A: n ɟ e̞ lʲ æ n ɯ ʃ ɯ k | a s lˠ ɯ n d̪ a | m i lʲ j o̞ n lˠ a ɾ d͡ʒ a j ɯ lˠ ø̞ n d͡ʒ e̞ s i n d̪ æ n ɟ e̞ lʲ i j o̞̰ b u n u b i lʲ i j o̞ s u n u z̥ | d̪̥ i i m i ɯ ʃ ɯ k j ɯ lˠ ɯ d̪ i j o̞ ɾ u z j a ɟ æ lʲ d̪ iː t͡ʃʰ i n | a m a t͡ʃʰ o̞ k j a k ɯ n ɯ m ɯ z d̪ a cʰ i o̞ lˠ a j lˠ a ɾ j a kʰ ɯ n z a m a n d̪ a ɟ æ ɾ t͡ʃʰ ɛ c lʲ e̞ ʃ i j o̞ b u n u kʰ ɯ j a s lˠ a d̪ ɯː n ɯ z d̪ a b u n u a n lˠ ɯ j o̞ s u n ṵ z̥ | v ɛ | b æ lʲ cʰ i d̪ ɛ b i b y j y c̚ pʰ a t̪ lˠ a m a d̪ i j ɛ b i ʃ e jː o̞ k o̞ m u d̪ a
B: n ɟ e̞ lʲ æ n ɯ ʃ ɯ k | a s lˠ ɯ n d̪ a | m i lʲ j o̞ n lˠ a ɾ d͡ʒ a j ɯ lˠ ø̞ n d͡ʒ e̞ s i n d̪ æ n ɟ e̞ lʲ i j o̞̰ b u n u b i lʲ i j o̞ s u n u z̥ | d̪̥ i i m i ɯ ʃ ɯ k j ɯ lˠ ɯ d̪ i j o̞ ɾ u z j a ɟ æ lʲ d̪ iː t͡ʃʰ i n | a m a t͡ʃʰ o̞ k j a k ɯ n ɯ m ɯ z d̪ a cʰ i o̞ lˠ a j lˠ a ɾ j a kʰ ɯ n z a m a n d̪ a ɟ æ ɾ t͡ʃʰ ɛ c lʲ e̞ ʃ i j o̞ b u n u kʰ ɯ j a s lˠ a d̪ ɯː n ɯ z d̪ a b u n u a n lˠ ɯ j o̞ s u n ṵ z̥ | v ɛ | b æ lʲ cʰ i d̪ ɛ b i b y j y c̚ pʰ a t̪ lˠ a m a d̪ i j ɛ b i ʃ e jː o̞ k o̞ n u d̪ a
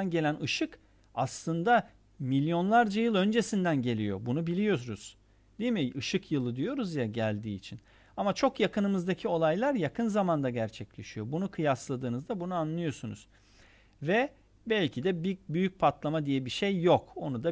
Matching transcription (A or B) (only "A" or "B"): B